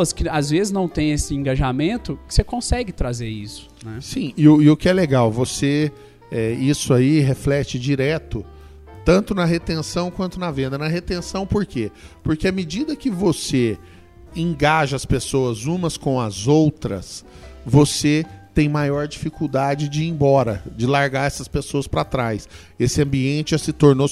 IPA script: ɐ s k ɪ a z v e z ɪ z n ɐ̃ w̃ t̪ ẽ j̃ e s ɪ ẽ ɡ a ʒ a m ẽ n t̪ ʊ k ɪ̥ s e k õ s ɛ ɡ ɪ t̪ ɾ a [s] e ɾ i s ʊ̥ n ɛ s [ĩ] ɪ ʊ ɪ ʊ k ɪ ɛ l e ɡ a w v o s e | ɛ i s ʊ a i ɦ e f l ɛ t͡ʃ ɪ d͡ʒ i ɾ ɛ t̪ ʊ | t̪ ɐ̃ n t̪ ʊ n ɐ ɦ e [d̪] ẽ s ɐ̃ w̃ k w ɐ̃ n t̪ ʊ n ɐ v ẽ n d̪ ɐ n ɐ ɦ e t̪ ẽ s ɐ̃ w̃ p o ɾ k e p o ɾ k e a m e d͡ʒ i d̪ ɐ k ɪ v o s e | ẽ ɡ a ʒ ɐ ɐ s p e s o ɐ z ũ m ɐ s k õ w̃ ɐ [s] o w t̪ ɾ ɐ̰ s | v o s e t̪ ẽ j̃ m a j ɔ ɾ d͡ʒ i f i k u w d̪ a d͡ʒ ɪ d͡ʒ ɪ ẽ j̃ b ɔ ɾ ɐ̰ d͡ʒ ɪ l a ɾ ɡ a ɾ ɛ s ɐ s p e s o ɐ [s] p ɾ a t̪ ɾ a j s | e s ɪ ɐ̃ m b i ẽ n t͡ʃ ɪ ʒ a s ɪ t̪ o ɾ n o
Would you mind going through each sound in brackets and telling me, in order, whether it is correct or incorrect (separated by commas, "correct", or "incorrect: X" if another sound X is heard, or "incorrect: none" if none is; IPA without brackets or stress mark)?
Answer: incorrect: z, correct, incorrect: t̪, incorrect: z, correct